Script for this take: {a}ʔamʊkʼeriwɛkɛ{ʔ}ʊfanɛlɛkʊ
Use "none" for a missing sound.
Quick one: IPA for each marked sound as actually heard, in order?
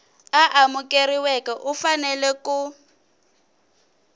a, ʔ

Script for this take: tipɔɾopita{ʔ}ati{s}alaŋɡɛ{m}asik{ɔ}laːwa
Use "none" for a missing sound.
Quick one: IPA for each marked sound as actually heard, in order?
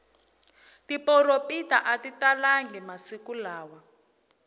ʔ, t, m, u

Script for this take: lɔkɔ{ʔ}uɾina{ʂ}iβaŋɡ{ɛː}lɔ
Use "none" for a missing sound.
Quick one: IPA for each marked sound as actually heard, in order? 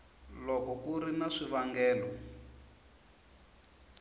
k, ʂ, ɛː

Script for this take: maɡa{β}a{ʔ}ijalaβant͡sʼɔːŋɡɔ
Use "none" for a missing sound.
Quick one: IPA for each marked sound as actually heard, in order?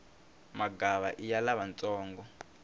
β, ʔ

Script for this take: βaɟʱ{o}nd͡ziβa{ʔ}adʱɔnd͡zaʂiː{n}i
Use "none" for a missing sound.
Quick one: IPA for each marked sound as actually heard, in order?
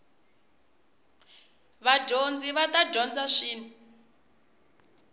o, t, n

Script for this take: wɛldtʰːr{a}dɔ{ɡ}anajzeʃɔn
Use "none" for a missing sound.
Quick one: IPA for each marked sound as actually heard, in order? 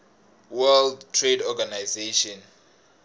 e, ɡ

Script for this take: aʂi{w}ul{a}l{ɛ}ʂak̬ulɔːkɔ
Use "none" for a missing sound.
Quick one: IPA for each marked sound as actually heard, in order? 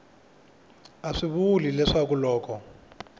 β, i, ɛ

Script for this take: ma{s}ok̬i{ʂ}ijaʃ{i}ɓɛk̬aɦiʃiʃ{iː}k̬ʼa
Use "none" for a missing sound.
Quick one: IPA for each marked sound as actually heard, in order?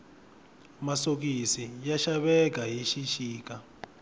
s, s, a, iː

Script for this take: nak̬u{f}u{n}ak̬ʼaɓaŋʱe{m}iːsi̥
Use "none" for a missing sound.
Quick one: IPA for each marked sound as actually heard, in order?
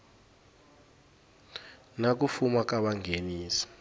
f, m, n

